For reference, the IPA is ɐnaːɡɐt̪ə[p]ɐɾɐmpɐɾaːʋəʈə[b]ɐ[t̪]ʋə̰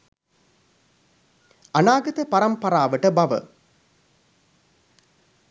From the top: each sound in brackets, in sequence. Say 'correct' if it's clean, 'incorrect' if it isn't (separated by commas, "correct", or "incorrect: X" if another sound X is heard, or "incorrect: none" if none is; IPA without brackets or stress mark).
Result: correct, correct, incorrect: none